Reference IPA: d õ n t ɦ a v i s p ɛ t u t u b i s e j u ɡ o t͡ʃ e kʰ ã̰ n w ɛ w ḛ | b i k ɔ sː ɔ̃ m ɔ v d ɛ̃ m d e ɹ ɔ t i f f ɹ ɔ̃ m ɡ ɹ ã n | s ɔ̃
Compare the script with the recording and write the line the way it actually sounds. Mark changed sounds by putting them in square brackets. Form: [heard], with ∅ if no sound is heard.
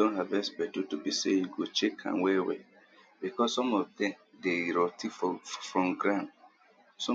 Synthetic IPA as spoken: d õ n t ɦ a v [ɛ] s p ɛ t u t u b i s e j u ɡ o t͡ʃ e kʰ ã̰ n w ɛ w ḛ | b i k ɔ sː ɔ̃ m ɔ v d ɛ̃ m d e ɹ ɔ t i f f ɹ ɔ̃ m ɡ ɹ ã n | s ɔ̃

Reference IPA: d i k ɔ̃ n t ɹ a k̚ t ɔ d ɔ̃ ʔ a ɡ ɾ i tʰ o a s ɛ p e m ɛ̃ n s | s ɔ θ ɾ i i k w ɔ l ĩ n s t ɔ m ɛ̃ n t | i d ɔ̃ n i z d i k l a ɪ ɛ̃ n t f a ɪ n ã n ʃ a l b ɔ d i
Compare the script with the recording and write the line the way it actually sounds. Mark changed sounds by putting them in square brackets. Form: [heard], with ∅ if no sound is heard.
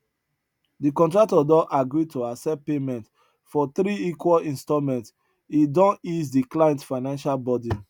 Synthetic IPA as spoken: d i k ɔ̃ n t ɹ a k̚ t ɔ d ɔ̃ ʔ a ɡ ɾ i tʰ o a s ɛ p e m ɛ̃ n [t] | [f] ɔ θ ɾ i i k w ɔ l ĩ n s t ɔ m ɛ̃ n t | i d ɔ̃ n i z d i k l a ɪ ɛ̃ n t f a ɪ n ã n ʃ a l b ɔ d i

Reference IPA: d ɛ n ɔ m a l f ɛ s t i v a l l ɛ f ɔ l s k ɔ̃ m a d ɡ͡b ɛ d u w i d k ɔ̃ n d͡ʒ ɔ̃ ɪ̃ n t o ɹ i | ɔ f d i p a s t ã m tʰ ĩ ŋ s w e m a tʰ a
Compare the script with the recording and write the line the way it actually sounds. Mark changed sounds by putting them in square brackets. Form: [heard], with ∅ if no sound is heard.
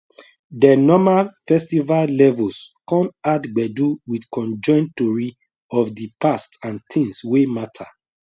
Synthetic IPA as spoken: d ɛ n ɔ m a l f ɛ s t i v a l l ɛ [v] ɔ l s k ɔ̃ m a d ɡ͡b ɛ d u w i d k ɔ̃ n d͡ʒ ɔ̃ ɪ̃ n t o ɹ i | ɔ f d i p a s t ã [n] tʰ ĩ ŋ s w e m a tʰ a

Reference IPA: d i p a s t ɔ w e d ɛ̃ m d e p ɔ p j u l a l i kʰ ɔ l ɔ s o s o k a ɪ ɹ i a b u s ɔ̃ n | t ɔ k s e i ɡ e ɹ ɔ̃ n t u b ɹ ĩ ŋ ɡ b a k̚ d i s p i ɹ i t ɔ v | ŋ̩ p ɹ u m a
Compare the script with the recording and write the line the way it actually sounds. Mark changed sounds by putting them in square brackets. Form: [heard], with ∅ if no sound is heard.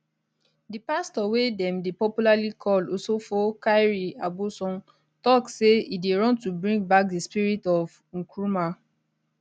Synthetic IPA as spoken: d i p a s t ɔ w e d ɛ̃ m d e p ɔ p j u l a l i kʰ ɔ l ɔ s o [f] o k a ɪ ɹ i a b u s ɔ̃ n | t ɔ k s e i [d] e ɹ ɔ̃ n t u b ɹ ĩ ŋ ɡ b a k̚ d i s p i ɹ i t ɔ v | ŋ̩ [k] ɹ u m a

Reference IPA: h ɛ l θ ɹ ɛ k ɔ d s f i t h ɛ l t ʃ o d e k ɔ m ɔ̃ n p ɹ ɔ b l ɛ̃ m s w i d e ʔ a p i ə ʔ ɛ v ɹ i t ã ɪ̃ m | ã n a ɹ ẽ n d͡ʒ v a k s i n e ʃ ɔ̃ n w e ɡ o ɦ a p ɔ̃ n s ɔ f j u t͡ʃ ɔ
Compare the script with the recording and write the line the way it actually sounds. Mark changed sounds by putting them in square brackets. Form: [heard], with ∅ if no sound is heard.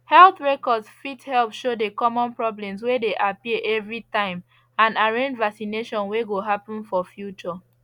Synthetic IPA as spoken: h ɛ l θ ɹ ɛ k ɔ d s f i t h ɛ l [p] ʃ o d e k ɔ m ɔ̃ n p ɹ ɔ b l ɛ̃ m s w [e] d e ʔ a p i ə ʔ ɛ v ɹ i t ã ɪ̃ m | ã n a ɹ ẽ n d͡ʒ v a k s i n e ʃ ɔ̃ n w e ɡ o ɦ a p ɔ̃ n [f] ɔ f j u t͡ʃ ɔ

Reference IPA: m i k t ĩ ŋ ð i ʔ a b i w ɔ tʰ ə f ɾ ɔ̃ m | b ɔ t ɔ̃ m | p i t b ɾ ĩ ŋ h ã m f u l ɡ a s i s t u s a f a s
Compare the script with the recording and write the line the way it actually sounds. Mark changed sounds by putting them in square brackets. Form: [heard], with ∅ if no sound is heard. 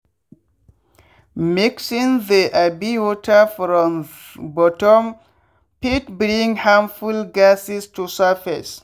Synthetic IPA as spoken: m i k [s] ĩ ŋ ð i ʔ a b i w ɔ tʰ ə f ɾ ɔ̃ m | b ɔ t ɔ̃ m | p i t b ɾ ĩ ŋ h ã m f u l ɡ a s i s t u s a f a s

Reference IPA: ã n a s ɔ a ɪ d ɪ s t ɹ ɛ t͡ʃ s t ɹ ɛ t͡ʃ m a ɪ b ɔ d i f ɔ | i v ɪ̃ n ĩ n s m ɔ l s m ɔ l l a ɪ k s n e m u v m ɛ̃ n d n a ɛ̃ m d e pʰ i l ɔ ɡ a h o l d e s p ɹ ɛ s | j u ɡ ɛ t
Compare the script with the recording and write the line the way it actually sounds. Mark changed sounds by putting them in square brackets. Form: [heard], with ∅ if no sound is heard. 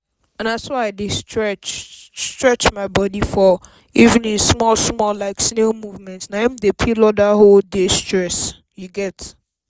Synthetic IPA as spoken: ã n a s ɔ a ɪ d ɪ s t ɹ ɛ t͡ʃ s t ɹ ɛ t͡ʃ m a ɪ b ɔ d i f ɔ | i v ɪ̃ n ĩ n s m ɔ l s m ɔ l l a ɪ k s n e m u v m ɛ̃ n [t] n a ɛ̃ m d e pʰ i l ɔ [d] a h o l d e s [t] ɹ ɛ s | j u ɡ ɛ t

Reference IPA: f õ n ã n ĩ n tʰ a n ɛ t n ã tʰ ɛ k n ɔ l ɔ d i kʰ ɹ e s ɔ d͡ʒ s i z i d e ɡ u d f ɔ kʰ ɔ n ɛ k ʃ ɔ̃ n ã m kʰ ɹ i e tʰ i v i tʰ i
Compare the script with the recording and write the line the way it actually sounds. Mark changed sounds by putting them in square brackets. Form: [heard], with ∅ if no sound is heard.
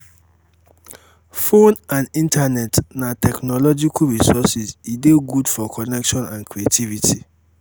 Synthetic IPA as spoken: f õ n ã n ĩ n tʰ a n ɛ t n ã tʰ ɛ k n ɔ l ɔ [d͡ʒ] i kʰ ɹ [i] s ɔ [∅] s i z i d e ɡ u d f ɔ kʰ ɔ n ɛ k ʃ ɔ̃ n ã [n] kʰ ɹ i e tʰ i v i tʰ i

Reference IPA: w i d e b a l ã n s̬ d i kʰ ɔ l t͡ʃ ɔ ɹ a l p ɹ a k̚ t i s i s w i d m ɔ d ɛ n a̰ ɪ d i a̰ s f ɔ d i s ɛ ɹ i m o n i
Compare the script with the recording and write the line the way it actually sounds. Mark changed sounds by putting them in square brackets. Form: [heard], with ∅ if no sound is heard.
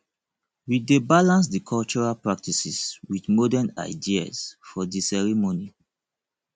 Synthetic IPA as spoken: w i d e b a l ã n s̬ d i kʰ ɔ l t͡ʃ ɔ ɹ a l p ɹ a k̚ t i s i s w i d m ɔ d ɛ n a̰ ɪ d i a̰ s f ɔ d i s ɛ ɹ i m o n i

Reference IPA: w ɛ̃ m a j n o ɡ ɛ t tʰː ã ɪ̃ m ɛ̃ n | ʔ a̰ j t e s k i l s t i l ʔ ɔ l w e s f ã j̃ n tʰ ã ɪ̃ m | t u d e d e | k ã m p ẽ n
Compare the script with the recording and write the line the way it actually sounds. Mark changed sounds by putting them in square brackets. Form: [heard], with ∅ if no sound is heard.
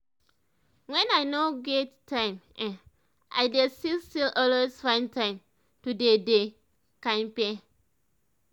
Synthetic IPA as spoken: w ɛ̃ [n] a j n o ɡ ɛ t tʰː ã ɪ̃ m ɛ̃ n | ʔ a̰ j [d] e s [t] i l s t i l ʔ ɔ l w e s f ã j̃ n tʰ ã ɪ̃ m | t u d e d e | k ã m p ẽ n

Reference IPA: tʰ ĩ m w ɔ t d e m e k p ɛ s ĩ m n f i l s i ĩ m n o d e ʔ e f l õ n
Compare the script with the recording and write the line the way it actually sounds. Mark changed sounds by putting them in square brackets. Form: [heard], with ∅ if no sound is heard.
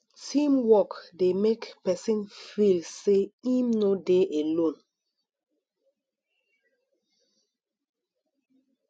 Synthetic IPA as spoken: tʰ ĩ m w ɔ [k] d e m e k p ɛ s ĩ [∅] n f i l s [e] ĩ m n o d e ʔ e [∅] l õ n

